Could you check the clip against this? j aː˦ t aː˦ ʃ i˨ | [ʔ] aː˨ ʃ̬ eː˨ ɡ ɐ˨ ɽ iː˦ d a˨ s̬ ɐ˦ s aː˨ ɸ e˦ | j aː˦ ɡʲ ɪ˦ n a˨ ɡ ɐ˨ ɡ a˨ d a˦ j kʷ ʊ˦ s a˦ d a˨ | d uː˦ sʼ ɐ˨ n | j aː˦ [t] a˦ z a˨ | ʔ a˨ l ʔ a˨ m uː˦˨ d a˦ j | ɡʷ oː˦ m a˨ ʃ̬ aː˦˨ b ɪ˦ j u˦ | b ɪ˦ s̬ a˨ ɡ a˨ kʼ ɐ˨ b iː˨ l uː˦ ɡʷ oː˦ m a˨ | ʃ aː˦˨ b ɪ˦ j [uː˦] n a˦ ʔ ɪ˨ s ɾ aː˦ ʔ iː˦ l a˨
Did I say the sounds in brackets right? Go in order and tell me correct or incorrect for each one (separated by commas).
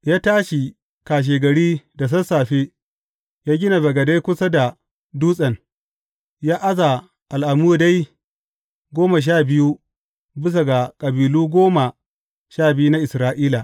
incorrect, incorrect, incorrect